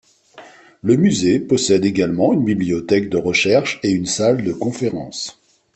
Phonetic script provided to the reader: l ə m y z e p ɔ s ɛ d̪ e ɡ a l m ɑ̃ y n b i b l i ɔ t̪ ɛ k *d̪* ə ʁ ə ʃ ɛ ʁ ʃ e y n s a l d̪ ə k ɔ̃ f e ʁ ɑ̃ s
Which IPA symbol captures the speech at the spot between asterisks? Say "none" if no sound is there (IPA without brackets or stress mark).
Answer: d̪